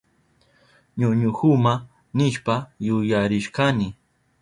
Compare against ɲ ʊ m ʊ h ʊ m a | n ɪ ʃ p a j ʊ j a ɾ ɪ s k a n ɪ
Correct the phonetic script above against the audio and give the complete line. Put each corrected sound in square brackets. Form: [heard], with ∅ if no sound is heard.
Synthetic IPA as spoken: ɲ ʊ [ɲ] ʊ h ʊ m a | n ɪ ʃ p a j ʊ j a ɾ ɪ [ʃ] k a n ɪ